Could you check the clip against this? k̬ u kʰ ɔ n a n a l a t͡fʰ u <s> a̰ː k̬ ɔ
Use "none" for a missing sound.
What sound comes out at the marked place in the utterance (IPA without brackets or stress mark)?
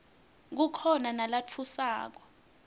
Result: s